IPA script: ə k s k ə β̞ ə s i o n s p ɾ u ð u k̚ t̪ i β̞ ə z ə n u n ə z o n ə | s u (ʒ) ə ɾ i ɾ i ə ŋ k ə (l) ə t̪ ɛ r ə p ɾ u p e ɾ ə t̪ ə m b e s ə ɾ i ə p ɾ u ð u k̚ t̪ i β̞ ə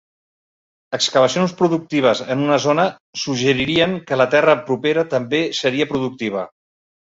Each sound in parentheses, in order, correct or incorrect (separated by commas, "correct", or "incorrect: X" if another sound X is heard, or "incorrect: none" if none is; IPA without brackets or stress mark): correct, correct